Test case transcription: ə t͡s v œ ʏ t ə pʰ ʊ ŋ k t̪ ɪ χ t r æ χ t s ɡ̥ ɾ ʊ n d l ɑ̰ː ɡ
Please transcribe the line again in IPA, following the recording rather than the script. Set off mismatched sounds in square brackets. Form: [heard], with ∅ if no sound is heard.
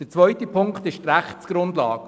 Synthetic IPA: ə t͡s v œ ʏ t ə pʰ ʊ ŋ k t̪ ɪ [ʃ] t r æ χ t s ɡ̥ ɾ ʊ n d l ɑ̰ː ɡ